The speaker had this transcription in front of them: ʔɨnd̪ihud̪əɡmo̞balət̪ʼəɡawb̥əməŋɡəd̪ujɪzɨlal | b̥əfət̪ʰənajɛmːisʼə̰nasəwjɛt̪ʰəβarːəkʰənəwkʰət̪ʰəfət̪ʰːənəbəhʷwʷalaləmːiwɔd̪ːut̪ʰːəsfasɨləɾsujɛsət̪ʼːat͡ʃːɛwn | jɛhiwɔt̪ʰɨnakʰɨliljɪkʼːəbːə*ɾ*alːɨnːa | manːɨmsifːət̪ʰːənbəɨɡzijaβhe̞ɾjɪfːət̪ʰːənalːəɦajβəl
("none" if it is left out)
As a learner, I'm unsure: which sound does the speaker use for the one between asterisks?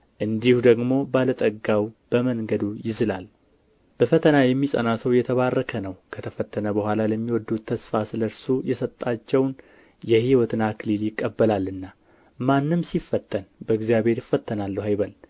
l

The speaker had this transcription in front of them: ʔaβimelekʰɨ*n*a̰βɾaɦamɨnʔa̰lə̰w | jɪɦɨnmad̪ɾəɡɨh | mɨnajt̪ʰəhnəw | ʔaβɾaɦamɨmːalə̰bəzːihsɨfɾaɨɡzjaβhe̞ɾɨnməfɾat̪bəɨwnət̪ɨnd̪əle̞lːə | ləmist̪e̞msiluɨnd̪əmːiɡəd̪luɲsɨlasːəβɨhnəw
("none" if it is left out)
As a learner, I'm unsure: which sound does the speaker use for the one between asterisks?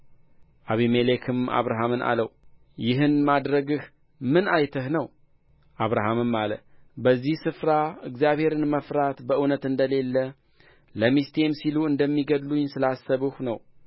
m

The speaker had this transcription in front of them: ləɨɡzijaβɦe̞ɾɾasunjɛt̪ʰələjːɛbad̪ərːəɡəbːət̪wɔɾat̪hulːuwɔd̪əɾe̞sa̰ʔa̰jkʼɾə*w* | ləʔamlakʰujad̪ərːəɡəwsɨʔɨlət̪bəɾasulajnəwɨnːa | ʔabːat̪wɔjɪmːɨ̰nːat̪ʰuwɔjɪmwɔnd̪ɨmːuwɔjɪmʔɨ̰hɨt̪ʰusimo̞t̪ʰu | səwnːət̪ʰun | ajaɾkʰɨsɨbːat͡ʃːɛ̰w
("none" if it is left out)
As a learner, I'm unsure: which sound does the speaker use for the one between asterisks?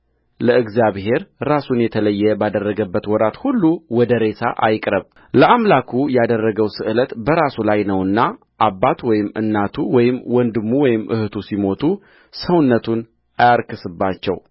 β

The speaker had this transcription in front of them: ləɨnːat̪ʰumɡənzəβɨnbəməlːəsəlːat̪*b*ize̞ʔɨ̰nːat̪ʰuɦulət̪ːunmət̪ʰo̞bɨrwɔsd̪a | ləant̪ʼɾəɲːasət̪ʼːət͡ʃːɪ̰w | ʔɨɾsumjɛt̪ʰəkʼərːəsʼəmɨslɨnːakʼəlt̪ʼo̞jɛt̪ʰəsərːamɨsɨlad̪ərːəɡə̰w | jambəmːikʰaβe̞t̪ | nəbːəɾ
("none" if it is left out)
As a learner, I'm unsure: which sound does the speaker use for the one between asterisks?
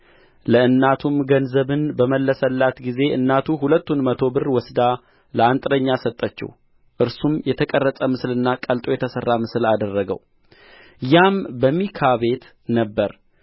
ɡ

